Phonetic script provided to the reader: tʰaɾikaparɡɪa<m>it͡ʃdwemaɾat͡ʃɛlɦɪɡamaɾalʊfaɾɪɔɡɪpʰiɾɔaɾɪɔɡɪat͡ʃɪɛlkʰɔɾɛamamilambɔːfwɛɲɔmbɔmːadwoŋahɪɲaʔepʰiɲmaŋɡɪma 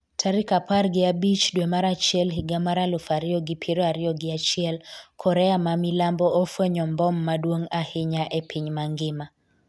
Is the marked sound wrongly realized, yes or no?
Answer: yes